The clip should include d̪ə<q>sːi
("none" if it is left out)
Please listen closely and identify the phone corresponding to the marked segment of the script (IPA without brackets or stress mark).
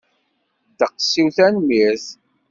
q